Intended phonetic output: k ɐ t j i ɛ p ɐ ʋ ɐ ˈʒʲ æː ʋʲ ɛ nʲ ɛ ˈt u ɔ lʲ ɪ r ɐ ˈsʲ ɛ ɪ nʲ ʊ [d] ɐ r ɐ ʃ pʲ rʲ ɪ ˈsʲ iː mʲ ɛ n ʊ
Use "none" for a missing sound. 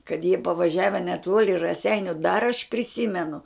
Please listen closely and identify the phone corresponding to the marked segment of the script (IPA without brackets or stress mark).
d